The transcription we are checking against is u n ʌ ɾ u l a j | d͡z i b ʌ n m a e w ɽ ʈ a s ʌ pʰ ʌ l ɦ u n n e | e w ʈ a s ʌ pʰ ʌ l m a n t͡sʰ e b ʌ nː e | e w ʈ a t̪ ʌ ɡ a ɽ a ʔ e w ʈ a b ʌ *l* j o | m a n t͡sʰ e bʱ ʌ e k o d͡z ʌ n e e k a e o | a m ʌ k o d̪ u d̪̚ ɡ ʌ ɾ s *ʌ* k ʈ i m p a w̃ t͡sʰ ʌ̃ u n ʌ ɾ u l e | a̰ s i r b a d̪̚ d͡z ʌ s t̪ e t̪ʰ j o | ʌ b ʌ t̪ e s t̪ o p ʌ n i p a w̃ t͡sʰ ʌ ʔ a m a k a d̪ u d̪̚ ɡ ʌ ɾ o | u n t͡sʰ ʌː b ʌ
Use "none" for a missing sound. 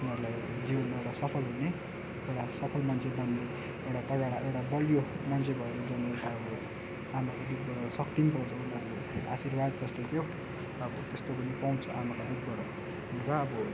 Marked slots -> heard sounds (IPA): l, ʌ

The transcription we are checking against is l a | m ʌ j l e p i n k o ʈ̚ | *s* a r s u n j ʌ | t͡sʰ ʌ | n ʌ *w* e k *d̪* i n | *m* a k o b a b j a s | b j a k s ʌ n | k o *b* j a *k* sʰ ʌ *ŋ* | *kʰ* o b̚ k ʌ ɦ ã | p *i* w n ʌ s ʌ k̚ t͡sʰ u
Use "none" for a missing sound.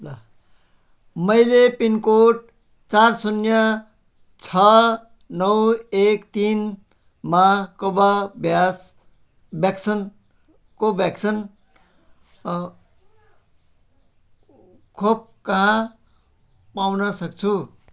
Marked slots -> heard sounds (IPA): t͡s, w, t̪, m, b, k, n, kʰ, a

